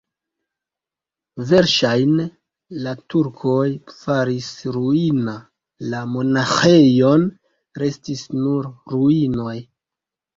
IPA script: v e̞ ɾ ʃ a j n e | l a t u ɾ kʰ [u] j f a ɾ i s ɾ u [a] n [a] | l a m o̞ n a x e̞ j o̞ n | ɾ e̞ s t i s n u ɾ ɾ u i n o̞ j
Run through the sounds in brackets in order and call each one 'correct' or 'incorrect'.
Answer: incorrect: o, incorrect: i, correct

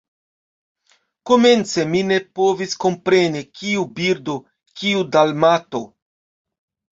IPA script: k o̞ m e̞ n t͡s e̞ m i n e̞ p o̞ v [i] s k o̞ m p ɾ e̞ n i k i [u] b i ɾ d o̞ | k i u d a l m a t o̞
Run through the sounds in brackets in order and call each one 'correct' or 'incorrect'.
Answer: correct, correct

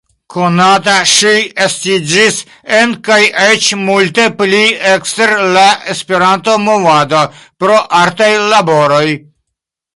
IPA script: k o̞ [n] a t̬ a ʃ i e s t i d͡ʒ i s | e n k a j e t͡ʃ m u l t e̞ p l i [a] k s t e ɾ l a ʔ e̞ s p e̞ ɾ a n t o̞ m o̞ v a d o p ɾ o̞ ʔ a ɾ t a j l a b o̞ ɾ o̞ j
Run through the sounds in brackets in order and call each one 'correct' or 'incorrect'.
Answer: correct, incorrect: e

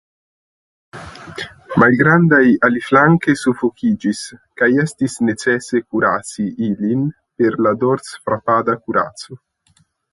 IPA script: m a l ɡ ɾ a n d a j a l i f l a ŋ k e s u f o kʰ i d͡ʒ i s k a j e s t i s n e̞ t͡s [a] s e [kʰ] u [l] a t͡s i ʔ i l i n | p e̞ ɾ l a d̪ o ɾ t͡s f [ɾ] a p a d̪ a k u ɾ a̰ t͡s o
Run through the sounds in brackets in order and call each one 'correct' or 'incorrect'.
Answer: incorrect: e, incorrect: k, incorrect: ɾ, correct

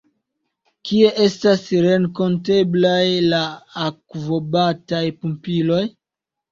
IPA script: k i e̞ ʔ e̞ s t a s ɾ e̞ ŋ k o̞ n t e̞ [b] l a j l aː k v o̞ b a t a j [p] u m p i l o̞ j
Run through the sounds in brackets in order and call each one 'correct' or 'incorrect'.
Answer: correct, correct

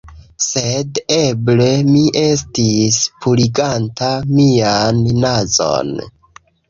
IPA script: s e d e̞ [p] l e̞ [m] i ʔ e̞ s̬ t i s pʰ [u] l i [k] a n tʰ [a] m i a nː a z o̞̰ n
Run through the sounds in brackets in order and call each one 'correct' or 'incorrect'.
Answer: incorrect: b, correct, correct, incorrect: ɡ, correct

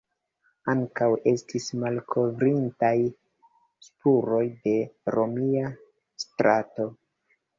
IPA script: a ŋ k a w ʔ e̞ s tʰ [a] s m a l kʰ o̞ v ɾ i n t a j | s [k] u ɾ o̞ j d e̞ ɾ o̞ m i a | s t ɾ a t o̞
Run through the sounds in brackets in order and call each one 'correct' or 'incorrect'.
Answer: incorrect: i, incorrect: p

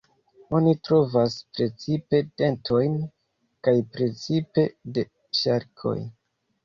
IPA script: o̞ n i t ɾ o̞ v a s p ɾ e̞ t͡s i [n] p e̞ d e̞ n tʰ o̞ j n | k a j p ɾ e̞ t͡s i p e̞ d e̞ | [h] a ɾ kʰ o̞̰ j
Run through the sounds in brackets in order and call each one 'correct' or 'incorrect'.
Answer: incorrect: none, incorrect: ʃ

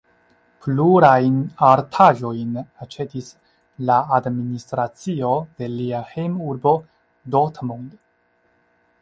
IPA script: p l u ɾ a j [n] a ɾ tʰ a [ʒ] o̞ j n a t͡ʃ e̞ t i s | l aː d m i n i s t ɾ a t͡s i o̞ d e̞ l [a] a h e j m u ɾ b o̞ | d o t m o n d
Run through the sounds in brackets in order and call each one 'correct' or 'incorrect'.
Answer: correct, correct, incorrect: i

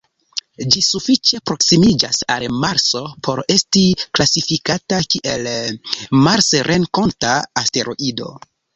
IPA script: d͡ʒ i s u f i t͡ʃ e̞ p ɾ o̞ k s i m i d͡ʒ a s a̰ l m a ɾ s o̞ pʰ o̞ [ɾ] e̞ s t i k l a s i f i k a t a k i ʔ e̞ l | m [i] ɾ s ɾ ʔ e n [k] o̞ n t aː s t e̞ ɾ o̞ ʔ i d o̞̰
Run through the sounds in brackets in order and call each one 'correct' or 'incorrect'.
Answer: correct, incorrect: a, correct

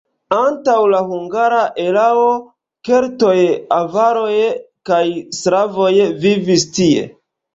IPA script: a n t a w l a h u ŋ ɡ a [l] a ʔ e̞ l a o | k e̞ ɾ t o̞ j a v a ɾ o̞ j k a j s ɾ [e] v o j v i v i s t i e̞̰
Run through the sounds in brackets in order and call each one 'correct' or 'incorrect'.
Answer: incorrect: ɾ, incorrect: a

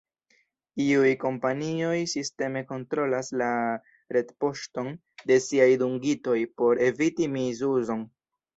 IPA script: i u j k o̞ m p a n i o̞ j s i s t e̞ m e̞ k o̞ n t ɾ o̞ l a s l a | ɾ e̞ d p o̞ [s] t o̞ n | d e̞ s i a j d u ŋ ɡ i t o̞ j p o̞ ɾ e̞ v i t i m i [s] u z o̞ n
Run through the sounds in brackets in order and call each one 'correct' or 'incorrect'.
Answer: incorrect: ʃ, incorrect: z

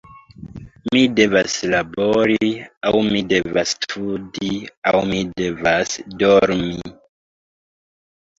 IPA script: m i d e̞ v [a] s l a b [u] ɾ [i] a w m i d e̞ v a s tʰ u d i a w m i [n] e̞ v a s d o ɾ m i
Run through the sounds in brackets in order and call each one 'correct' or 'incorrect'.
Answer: correct, incorrect: o, correct, incorrect: d

